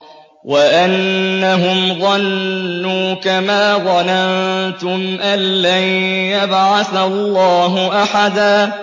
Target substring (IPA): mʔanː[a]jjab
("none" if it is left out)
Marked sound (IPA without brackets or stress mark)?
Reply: a